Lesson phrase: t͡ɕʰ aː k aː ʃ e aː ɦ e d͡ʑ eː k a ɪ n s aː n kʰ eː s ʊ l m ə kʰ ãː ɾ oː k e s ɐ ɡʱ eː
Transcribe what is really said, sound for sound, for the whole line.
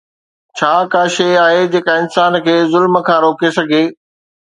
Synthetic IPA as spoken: t͡ɕʰ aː k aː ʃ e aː ɦ e d͡ʑ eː k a ɪ n s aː n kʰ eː z ʊ l m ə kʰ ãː ɾ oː k e s ɐ ɡʱ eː

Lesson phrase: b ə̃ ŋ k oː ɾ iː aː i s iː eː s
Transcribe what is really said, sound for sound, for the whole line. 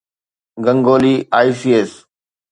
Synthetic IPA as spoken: ɡ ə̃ ŋ ɡ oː l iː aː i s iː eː s

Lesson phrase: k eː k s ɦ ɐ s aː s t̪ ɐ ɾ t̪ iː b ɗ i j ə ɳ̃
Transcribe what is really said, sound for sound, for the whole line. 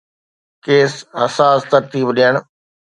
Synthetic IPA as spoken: k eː s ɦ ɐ s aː s t̪ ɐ ɾ t̪ iː b ɗ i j ə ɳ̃

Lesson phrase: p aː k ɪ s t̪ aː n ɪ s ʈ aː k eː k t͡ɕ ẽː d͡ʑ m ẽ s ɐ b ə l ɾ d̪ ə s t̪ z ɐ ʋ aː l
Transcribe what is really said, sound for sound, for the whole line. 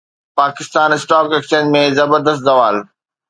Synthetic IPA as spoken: p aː k ɪ s t̪ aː n ɪ s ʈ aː k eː k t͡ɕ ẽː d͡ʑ m ẽ z ɐ b ə ɾ d̪ ə s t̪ z ɐ ʋ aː l

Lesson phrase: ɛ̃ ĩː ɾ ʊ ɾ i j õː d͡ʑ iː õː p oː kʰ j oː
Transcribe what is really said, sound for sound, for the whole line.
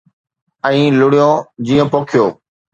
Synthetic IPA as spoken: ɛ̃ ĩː l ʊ ɽ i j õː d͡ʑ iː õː p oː kʰ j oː

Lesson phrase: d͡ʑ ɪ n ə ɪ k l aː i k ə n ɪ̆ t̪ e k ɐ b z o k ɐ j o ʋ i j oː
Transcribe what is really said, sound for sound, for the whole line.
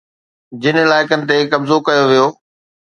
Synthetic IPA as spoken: d͡ʑ ɪ n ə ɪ l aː ɪ k ə n ɪ̆ t̪ e k ɐ b z o k ɐ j o ʋ i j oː

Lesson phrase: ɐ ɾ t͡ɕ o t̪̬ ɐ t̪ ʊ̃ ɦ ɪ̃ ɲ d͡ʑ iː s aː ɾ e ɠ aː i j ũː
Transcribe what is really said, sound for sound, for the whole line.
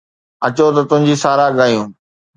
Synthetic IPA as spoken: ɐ t͡ɕ o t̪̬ ɐ t̪ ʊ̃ ɦ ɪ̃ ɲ d͡ʑ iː s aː ɾ a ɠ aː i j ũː

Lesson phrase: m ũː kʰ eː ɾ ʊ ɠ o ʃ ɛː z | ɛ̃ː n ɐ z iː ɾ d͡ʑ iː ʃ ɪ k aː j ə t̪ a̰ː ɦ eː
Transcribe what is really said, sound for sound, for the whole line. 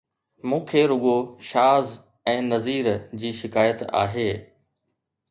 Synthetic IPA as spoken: m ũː kʰ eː ɾ ʊ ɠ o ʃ aː z | ɛ̃ː n ɐ z iː ɾ d͡ʑ iː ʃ ɪ k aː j ə t̪ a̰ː ɦ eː

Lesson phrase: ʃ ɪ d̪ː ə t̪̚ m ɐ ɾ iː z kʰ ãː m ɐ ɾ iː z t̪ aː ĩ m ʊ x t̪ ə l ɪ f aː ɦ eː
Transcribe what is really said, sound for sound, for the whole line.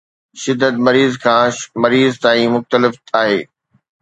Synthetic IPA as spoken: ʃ ɪ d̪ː ə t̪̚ m ɐ ɾ iː z kʰ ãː m ɐ ɾ iː z t̪ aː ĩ m ʊ x t̪ ə l ɪ f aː ɦ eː

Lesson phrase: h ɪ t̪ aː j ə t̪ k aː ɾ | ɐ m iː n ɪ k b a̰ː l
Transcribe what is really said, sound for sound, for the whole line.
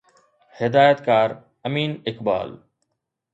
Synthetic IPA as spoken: h ɪ d̪ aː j ə t̪ k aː ɾ | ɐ m iː n ɪ k b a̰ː l

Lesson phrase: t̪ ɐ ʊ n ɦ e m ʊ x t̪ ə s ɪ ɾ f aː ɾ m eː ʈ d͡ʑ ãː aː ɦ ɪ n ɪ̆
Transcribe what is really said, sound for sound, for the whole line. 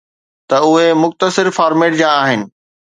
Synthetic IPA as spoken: t̪ ɐ ʊ ɦ e m ʊ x t̪ ə s ɪ ɾ f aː ɾ m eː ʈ d͡ʑ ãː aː ɦ ɪ n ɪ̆

